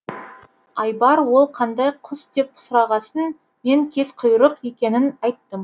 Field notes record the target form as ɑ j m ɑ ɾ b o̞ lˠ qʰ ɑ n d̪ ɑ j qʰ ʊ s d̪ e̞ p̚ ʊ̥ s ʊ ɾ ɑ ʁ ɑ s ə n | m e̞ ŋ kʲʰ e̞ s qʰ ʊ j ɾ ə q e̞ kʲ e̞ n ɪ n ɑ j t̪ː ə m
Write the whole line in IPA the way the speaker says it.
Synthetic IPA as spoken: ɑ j b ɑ ɾ w o̞ lˠ qʰ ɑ n d̪ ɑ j qʰ ʊ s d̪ e̞ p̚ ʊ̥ s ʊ ɾ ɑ ʁ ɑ s ə n | m e̞ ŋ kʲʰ e̞ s qʰ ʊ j ɾ ə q e̞ kʲ e̞ n ɪ n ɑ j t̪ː ə m